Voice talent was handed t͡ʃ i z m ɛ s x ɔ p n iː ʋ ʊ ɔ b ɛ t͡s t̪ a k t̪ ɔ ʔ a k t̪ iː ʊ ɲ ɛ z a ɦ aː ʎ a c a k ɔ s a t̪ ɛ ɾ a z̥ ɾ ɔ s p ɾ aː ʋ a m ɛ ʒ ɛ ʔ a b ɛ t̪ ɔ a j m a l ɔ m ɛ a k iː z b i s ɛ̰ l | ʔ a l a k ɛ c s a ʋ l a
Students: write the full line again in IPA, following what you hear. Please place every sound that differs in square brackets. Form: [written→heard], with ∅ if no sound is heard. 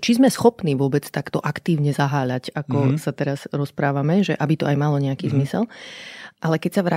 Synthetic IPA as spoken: t͡ʃ i z m ɛ s x ɔ p n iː ʋ ʊ ɔ b ɛ t͡s t̪ a k t̪ ɔ ʔ a k t̪ iː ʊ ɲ ɛ z a ɦ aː ʎ a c a k ɔ s a t̪ ɛ ɾ a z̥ ɾ ɔ s p ɾ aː ʋ a m ɛ ʒ ɛ ʔ a b [ɛ→i] t̪ ɔ a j m a l ɔ [m→ɲ] ɛ a k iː z [b→m] i s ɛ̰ l | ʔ a l [a→ɛ] k ɛ c s a ʋ [l→ɾ] a